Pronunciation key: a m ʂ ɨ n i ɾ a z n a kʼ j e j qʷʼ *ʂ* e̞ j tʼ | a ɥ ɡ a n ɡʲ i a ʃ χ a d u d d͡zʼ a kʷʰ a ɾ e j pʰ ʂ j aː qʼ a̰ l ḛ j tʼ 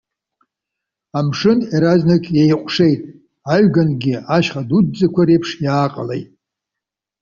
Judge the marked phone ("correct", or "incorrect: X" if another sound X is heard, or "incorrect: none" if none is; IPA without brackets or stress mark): correct